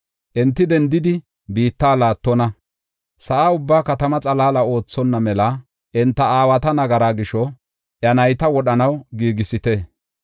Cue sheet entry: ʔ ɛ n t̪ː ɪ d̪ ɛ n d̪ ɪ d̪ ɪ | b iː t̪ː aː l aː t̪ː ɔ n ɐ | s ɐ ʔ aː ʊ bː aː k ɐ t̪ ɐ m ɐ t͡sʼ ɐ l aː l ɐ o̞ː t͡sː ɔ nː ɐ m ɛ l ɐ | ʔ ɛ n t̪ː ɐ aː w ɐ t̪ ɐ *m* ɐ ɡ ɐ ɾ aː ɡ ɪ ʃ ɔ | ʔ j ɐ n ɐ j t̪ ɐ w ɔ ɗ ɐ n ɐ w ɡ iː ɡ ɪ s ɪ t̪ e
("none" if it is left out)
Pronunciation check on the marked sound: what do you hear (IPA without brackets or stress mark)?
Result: n